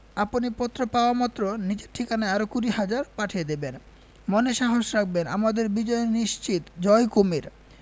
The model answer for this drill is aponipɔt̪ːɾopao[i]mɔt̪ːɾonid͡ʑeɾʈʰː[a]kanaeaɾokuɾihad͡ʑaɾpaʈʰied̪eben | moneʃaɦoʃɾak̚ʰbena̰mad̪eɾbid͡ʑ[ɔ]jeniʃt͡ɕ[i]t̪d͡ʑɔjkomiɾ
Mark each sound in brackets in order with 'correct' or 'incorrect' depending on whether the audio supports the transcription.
incorrect, incorrect, correct, correct

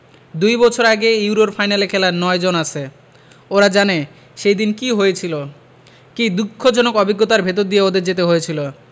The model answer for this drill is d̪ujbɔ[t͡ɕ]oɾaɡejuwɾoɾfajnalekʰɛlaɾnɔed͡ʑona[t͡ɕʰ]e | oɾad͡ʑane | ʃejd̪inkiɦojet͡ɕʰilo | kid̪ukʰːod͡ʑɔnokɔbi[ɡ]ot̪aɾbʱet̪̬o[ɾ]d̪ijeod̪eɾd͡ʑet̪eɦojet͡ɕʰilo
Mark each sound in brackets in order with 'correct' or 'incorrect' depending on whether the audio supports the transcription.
incorrect, correct, incorrect, correct

